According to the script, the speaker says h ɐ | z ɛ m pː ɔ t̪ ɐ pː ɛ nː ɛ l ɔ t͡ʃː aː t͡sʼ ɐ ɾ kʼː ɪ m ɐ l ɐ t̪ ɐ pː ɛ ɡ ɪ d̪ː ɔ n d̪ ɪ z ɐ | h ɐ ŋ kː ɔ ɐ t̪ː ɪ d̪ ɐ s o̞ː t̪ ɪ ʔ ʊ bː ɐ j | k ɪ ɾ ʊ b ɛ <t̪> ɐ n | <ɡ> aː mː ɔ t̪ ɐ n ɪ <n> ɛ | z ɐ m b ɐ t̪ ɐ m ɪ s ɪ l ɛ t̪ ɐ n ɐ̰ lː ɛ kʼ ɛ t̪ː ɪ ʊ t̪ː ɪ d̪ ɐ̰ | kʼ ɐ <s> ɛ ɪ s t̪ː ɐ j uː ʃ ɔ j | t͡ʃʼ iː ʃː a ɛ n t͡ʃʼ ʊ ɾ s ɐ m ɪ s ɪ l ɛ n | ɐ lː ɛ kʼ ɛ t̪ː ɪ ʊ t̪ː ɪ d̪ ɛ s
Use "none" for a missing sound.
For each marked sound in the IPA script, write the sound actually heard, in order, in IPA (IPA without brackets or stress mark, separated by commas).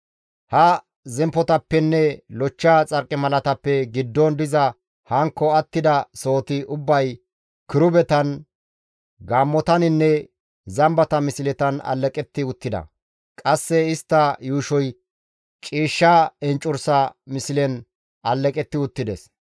t̪, ɡ, nː, sː